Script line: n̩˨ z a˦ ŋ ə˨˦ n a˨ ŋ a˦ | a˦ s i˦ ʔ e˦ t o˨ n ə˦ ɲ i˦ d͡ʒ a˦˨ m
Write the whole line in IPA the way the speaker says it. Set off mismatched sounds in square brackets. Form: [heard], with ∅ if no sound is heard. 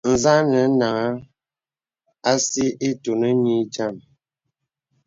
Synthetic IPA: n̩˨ z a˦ [n] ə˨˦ n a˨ ŋ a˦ | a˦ s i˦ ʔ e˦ t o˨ n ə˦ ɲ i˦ d͡ʒ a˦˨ m